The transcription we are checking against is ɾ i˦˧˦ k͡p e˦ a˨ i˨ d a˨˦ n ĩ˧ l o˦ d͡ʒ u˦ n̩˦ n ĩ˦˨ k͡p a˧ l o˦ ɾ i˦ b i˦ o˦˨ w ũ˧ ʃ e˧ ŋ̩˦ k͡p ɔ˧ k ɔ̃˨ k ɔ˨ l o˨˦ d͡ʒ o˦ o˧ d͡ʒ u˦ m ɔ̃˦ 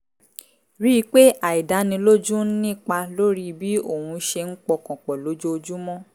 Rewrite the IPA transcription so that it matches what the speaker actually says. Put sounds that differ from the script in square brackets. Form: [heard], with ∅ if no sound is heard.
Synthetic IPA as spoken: ɾ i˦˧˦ k͡p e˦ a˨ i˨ d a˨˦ n ĩ˧ l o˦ d͡ʒ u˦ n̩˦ n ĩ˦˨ k͡p a˧ l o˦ ɾ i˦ b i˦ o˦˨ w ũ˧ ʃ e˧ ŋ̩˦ k͡p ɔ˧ k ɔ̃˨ [k͡p] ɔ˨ l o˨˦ d͡ʒ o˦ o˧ d͡ʒ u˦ m ɔ̃˦